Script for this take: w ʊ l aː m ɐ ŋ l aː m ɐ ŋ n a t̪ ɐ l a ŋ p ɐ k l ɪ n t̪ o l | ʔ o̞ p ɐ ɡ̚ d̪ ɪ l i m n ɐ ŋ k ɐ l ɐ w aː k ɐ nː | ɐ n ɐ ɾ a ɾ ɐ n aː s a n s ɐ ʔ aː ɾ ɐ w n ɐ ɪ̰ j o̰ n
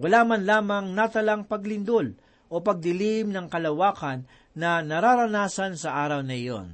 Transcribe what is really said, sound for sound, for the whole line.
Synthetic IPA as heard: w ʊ l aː m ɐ n l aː m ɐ ŋ n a t̪ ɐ l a ŋ p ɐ ɡ l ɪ n d̪ o l | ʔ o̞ p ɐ ɡ̚ d̪ ɪ l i m n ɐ ŋ k ɐ l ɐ w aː k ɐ nː | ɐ n ɐ ɾ a ɾ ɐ n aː s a n s ɐ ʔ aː ɾ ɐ w n ɐ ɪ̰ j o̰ n